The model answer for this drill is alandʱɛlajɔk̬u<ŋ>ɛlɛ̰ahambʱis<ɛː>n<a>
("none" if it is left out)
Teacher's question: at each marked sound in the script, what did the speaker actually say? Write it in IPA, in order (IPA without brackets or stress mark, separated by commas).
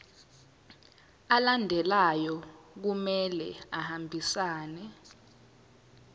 m, aː, ɛ